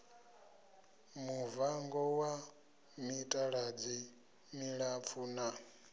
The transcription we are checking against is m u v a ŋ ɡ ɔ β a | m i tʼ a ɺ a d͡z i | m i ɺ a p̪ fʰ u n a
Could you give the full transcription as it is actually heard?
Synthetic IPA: m u v a ŋ ɡ ɔ w a | m i tʼ a ɺ a d͡z i | m i ɺ a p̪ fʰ u n a